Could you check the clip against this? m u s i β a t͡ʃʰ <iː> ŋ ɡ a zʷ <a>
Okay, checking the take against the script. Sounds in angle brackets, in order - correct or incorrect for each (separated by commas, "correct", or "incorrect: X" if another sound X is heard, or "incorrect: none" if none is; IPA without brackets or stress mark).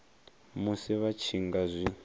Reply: incorrect: i, incorrect: i